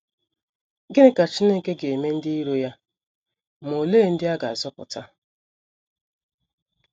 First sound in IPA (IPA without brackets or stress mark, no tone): ɡ